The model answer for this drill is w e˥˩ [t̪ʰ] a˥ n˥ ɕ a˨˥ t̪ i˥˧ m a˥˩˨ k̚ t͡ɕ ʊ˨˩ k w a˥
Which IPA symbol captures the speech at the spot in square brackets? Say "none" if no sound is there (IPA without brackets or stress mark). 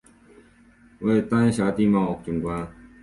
t̪